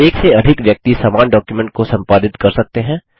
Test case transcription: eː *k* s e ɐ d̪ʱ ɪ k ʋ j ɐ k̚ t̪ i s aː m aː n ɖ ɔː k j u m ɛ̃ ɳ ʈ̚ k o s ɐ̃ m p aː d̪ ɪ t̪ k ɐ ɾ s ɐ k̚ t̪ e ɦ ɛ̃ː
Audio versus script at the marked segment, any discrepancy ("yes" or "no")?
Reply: no